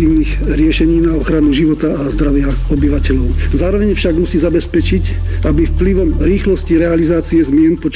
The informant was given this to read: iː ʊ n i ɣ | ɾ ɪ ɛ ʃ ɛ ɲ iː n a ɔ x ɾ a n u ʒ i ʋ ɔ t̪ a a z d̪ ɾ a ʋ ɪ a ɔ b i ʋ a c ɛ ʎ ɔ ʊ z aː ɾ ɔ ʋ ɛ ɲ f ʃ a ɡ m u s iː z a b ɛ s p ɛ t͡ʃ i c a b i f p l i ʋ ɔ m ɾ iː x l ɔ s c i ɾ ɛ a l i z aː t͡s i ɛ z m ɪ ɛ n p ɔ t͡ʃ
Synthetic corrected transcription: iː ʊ n i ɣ | ɾ ɪ ɛ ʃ ɛ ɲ iː n a ɔ x ɾ a n u ʒ i ʋ ɔ t̪ a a z d̪ ɾ a ʋ ɪ a ɔ b i ʋ a c ɛ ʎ ɔ ʊ z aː ɾ ɔ ʋ ɛ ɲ f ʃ a ɡ m u s iː z a b ɛ s p ɛ t͡ʃ i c a b i f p l i ʋ ɔ m ɾ iː x l ɔ s c i ɾ ɛ a l i z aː t͡s i ɛ z m ɪ ɛ n p ɔ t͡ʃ